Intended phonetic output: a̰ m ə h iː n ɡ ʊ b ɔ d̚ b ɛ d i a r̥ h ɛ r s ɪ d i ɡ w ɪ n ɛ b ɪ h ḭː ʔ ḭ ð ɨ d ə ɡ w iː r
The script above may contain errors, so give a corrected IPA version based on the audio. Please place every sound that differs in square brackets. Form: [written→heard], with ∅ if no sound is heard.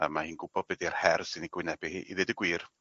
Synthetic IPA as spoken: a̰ m [ə→a] h iː n ɡ ʊ b ɔ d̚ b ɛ d i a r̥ h ɛ r s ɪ [d→n] i ɡ w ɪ n ɛ b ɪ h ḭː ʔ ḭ ð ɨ d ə ɡ w iː r